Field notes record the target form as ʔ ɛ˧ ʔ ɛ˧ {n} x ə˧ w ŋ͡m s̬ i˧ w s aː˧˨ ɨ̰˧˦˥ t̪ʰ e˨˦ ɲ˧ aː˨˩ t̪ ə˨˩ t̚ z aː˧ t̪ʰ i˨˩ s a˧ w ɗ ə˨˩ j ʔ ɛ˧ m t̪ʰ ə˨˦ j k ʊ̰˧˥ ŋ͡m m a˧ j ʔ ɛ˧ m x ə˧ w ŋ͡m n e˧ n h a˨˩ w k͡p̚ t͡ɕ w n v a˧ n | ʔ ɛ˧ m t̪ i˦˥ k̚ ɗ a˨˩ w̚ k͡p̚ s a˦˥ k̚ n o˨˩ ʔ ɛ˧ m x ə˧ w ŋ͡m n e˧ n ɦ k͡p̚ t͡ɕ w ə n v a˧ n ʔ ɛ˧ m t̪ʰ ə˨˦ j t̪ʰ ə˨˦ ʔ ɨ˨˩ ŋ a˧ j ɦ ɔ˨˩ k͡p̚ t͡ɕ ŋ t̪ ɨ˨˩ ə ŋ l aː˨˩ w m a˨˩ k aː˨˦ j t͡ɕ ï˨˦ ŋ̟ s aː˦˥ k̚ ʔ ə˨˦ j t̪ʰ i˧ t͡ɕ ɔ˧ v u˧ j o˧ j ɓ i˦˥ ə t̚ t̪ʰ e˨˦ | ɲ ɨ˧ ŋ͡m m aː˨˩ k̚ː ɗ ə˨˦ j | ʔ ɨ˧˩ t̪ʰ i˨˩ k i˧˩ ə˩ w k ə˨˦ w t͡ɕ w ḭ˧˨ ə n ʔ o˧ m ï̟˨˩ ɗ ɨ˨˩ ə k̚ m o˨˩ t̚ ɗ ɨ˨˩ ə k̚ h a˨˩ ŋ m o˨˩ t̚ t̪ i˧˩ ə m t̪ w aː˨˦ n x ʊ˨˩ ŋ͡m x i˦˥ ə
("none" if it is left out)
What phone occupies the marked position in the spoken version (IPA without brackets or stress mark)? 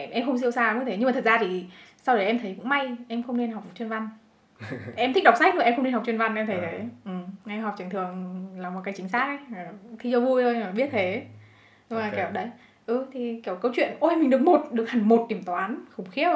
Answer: m